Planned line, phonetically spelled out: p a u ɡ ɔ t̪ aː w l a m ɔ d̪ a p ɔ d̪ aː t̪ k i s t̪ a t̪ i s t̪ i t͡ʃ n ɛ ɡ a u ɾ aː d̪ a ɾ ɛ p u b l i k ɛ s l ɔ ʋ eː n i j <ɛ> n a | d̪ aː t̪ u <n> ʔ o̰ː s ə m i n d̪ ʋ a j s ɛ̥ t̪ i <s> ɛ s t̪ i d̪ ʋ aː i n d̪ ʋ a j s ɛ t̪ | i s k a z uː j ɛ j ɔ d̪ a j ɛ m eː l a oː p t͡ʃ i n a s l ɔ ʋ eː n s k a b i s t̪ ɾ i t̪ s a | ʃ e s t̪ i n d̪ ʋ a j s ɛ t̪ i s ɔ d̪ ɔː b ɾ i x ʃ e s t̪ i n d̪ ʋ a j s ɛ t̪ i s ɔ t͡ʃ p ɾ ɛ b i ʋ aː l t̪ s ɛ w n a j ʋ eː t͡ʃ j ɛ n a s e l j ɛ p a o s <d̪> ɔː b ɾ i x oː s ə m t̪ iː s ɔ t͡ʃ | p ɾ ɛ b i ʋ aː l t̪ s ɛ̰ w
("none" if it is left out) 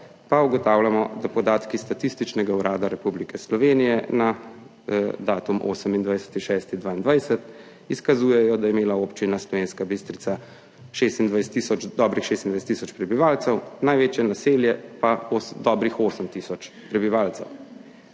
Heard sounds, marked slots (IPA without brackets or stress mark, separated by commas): ɛ, m, ʃ, d̪